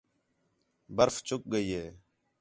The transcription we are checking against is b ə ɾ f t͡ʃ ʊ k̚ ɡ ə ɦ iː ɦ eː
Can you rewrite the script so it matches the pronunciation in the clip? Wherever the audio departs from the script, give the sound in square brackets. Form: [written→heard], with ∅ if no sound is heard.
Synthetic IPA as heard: b ə ɾ f t͡ʃ ʊ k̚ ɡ ə [ɦ→∅] iː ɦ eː